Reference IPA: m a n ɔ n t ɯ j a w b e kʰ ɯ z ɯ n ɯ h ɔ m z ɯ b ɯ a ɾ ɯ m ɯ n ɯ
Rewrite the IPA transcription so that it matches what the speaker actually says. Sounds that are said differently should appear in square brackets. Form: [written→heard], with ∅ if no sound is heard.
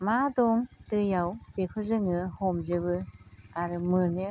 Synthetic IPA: m a [n→d] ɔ [n→ŋ] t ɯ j a w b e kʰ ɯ z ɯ [n→ŋ] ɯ h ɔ m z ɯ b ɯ a ɾ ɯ m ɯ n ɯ